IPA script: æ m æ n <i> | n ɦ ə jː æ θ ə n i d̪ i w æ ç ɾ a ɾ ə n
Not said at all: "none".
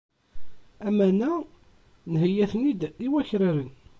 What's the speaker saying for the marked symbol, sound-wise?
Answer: æ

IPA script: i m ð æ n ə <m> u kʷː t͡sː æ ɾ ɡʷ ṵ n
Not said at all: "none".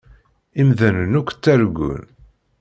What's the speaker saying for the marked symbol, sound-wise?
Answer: n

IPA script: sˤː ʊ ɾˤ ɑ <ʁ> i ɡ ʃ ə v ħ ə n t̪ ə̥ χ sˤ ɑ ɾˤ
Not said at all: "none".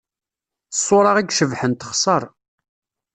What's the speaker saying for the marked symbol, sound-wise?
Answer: ʁ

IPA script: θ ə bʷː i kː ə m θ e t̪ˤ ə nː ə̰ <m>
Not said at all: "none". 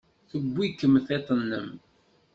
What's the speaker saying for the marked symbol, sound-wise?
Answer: m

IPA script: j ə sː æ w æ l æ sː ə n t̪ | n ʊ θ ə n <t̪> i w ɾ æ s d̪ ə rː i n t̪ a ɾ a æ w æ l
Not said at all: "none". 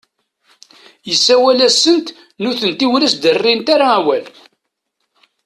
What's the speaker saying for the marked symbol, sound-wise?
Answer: t̪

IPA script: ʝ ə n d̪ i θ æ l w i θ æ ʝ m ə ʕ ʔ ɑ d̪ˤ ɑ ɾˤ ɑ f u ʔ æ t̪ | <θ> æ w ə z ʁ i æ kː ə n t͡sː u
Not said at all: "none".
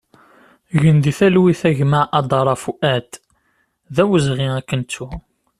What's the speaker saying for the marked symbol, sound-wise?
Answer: ð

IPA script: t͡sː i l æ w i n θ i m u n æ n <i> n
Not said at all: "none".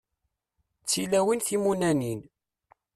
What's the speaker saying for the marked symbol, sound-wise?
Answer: i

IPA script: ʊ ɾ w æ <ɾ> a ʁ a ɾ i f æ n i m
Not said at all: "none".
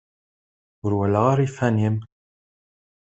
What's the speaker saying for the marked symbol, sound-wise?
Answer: l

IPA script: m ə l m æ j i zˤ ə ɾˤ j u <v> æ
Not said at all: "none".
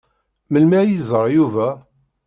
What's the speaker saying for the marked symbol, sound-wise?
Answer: v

